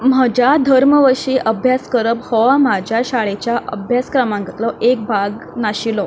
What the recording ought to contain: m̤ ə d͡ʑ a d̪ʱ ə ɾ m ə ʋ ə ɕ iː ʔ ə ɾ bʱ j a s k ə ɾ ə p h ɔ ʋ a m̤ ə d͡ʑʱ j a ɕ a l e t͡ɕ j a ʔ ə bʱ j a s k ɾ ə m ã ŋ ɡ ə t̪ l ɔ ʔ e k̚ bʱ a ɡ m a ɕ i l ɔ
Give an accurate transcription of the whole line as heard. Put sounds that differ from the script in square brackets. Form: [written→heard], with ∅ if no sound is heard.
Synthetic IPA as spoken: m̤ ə d͡ʑ a d̪ʱ ə ɾ m ə ʋ ə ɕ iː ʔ ə [ɾ→∅] bʱ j a s k ə ɾ ə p h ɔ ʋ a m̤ [ə→a] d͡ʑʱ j a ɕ a [l→ɭ] e t͡ɕ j a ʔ ə bʱ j a s k ɾ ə m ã ŋ ɡ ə t̪ l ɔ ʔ e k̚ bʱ a ɡ [m→n] a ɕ i l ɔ